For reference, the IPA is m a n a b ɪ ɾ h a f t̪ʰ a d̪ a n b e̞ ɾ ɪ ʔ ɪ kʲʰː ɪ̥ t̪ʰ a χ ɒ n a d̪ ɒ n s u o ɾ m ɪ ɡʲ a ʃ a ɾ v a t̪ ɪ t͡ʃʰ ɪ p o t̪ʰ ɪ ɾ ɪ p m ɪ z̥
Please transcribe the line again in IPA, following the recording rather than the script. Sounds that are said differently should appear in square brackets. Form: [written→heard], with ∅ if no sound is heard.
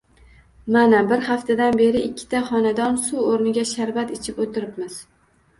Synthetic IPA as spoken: m a n a b ɪ ɾ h a f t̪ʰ a d̪ a n b e̞ ɾ ɪ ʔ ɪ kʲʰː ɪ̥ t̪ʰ a χ ɒ n a d̪ ɒ n s u o ɾ [m→n] ɪ ɡʲ a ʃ a ɾ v a t̪ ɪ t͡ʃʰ ɪ p o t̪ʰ ɪ ɾ ɪ p m ɪ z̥